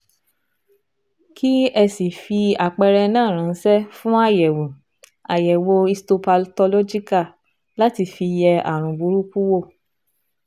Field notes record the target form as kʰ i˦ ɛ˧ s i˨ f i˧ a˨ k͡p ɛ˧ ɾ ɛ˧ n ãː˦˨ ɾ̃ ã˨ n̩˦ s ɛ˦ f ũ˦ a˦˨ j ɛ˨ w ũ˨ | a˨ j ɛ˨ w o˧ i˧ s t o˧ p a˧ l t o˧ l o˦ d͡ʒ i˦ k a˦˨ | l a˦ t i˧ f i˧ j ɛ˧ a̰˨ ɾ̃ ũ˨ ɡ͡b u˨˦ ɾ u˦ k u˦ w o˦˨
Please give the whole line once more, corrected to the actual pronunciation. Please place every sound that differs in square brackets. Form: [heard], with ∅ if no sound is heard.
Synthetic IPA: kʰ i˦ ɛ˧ s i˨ f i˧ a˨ k͡p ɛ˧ ɾ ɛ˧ n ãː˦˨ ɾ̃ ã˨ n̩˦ s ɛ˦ f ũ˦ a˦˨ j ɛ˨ w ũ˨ | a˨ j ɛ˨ w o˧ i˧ s t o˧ p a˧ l t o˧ l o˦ d͡ʒ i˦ k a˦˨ | l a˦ t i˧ f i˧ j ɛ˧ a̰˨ ɾ̃ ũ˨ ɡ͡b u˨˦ ɾ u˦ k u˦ w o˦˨